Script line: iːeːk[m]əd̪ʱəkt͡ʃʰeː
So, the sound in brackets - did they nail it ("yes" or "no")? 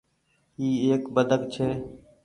no